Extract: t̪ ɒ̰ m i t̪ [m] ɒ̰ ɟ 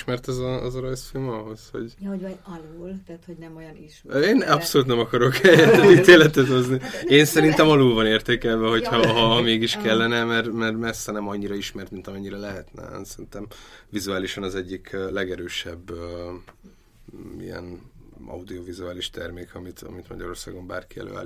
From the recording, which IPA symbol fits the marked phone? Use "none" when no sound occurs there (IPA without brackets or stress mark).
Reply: m